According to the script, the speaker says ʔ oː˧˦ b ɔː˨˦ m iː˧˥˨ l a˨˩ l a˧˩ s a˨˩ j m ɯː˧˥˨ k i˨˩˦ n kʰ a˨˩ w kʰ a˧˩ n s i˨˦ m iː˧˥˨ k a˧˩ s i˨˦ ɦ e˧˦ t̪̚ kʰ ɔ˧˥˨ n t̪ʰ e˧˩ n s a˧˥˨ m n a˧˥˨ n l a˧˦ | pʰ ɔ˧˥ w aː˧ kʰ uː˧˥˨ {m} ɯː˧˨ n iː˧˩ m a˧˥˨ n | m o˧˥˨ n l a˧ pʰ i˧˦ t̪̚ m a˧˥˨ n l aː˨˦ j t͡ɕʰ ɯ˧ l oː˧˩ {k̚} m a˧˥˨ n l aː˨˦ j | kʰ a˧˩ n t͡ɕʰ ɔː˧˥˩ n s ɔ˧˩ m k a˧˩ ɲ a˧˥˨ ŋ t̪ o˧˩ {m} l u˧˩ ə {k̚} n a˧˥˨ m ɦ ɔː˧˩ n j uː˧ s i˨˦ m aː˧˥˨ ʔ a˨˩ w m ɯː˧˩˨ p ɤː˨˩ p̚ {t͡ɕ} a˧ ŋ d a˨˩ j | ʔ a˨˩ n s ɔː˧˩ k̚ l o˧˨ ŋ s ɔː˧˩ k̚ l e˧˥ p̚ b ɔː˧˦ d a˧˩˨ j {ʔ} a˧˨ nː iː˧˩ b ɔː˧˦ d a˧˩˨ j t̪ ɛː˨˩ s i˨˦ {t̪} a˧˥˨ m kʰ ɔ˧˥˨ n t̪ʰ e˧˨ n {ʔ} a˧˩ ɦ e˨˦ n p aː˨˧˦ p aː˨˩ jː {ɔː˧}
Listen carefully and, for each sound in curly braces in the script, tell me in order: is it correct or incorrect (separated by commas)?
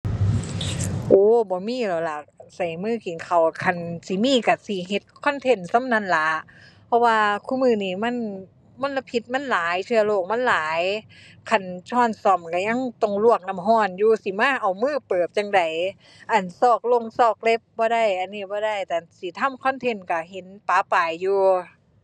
correct, correct, incorrect, correct, correct, correct, incorrect, incorrect, incorrect